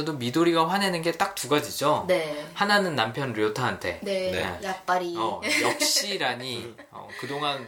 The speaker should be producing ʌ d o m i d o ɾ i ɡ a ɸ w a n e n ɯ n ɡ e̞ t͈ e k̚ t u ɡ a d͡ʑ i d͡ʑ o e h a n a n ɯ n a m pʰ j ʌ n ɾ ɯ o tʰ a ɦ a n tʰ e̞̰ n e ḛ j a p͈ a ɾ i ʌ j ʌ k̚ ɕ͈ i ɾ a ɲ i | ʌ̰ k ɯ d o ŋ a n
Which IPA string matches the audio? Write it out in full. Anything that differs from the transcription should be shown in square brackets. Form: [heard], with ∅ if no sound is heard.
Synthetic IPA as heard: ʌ d o m i d o ɾ i ɡ a ɸ w a n e n ɯ n ɡ e̞ t͈ [a] k̚ t u ɡ a d͡ʑ i d͡ʑ o e h a n a n ɯ [nː] a m pʰ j ʌ n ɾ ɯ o tʰ a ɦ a n tʰ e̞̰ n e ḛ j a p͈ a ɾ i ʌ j ʌ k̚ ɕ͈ i ɾ a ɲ i | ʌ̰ k ɯ d o ŋ a n